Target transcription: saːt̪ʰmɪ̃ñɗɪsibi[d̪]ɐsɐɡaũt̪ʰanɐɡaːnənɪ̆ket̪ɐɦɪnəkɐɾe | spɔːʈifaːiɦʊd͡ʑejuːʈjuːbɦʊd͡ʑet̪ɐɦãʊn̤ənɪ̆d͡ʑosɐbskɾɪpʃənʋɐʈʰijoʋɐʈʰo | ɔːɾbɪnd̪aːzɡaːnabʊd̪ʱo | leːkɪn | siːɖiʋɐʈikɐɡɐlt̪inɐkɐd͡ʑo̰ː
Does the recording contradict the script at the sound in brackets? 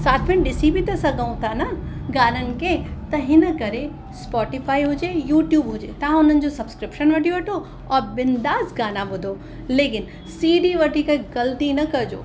yes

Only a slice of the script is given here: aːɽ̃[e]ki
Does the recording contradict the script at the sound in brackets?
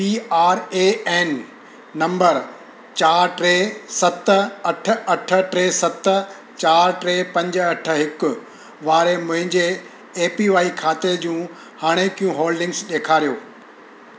no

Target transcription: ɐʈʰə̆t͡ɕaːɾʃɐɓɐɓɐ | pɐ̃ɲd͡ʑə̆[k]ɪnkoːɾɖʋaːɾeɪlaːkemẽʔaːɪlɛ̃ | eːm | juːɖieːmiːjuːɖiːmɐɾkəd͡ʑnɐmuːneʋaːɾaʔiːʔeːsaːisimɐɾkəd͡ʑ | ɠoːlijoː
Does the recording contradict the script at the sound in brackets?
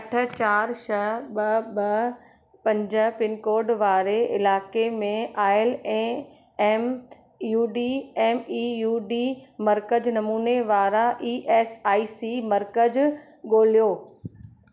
yes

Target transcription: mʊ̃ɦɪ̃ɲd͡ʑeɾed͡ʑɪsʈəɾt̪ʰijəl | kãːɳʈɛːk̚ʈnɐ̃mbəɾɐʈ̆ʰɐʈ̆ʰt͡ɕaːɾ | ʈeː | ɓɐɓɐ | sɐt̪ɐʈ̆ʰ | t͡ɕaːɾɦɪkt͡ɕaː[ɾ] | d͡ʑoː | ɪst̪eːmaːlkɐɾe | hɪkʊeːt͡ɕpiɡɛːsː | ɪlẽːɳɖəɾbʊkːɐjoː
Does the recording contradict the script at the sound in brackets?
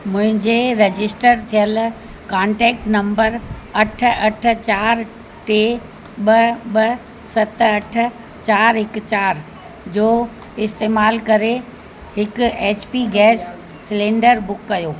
no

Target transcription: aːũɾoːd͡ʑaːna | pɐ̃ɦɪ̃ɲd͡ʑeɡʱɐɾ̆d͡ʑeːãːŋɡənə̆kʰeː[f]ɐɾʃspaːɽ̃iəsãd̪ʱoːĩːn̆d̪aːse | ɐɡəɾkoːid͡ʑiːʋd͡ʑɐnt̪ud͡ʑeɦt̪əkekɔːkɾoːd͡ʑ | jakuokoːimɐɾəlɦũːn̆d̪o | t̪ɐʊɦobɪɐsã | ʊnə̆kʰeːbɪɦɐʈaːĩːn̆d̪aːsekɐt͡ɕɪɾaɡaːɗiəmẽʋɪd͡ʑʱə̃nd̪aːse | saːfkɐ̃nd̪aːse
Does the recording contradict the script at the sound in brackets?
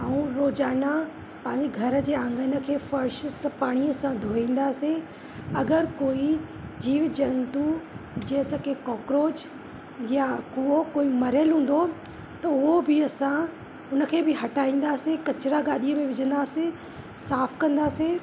no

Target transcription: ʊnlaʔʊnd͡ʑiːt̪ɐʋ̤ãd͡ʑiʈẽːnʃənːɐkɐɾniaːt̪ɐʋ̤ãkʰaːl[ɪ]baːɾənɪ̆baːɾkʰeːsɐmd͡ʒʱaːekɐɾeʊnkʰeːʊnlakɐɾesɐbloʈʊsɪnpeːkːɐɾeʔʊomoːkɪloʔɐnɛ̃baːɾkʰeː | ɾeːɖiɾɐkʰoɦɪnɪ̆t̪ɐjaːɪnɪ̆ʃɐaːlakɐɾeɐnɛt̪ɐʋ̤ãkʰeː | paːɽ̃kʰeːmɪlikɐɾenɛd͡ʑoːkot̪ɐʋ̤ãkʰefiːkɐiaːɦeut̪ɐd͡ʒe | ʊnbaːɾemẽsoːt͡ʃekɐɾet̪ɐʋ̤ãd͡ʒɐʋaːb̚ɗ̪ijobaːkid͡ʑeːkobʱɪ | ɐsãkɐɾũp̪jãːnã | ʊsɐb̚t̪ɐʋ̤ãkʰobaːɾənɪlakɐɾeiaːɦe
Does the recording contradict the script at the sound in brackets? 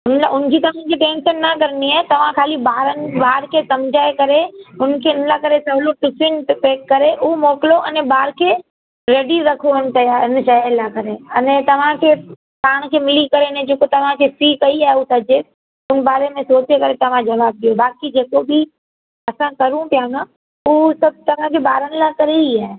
yes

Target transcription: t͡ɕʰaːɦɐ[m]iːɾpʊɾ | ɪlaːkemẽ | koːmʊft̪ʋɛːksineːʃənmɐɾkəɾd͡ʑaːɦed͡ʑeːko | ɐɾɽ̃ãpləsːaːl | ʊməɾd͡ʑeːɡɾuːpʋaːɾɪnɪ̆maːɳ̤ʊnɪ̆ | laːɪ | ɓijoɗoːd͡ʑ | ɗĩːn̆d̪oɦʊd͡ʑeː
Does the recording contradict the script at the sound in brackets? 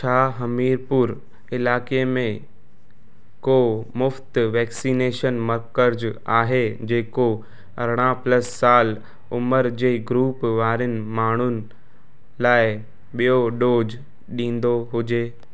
no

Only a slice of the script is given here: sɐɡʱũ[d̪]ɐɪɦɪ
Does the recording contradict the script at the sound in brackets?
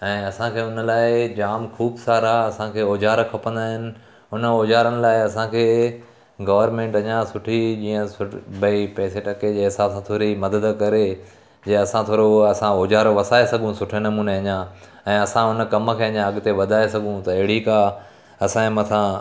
yes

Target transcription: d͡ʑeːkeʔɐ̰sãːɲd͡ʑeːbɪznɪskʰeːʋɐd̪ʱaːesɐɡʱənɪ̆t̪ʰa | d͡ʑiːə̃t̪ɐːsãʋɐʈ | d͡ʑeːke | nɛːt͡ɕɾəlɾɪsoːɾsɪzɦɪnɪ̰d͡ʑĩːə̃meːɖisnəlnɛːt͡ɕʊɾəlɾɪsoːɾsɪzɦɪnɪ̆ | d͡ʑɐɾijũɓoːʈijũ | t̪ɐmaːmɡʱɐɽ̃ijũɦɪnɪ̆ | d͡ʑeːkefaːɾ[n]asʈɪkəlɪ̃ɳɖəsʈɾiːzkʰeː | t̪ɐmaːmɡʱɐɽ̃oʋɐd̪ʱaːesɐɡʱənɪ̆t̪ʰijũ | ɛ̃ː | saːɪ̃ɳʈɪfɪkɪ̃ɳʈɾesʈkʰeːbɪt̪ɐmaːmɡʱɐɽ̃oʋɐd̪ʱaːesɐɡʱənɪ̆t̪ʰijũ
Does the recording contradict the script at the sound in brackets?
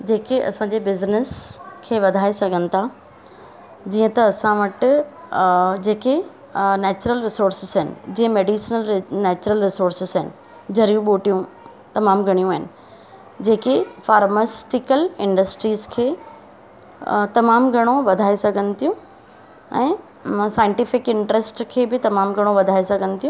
yes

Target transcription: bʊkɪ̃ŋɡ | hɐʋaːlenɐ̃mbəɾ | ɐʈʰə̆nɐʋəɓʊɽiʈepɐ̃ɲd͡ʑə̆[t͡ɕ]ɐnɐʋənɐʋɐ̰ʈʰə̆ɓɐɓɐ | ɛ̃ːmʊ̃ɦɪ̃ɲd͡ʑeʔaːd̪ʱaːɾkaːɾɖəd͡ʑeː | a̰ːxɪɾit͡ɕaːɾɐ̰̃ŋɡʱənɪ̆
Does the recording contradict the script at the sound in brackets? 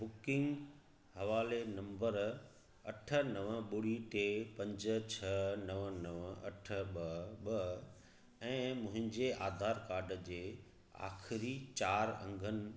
yes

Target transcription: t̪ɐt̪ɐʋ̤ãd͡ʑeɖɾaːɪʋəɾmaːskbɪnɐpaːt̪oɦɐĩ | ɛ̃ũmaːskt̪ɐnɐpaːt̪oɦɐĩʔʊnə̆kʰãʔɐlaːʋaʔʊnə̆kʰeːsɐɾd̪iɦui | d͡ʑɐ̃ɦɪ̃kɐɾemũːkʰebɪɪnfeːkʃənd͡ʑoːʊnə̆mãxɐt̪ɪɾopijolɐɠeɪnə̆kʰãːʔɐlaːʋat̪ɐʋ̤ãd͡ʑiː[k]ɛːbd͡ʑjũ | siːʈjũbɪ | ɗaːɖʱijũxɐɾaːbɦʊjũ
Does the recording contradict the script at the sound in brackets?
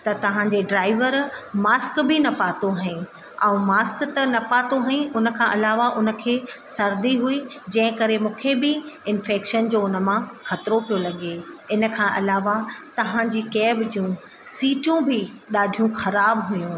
no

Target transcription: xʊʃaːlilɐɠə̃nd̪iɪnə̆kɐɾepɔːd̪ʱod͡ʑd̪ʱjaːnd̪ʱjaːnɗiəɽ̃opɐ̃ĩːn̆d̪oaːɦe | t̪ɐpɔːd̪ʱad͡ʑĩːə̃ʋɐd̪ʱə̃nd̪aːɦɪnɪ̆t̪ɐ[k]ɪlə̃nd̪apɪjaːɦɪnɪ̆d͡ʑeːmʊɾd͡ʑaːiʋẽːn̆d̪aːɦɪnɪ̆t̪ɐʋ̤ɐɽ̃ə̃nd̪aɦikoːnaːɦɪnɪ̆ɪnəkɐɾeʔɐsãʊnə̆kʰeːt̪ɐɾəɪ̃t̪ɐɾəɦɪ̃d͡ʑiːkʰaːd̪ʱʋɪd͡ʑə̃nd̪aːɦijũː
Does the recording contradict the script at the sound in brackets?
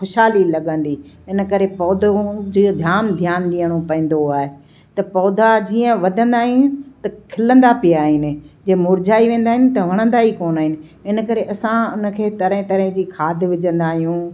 yes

